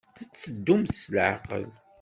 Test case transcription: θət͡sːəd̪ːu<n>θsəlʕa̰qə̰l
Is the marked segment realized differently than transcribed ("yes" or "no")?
yes